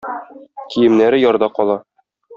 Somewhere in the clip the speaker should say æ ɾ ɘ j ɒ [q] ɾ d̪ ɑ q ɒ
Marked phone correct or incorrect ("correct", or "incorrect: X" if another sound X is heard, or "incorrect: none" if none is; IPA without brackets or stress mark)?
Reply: incorrect: none